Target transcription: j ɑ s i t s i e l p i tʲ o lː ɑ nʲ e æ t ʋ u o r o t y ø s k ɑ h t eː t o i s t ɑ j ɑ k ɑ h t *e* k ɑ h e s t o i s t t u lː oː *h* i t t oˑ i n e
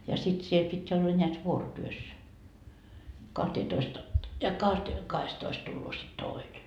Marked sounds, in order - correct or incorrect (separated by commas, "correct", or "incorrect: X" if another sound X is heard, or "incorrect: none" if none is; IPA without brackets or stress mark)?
correct, incorrect: s